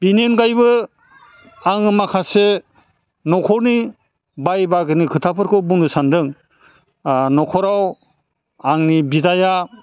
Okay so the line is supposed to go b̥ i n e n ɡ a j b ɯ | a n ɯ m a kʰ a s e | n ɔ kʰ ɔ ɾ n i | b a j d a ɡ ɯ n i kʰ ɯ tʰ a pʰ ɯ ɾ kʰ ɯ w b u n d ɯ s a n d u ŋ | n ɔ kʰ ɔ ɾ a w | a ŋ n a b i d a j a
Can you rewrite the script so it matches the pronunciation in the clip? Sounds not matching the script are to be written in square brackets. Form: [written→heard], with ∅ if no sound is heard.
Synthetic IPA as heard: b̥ i n e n ɡ a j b ɯ | a [n→ŋ] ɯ m a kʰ a s e | n ɔ kʰ ɔ ɾ n i | b a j [d→b] a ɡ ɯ n i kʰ ɯ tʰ a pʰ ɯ ɾ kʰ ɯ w b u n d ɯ s a n d [u→ɯ] ŋ | n ɔ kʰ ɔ ɾ a w | a ŋ n [a→i] b i d a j a